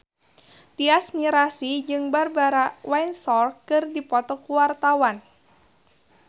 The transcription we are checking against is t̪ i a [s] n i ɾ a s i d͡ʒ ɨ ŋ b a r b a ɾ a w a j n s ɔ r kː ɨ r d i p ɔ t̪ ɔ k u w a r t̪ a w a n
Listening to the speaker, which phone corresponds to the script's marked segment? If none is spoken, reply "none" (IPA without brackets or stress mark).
s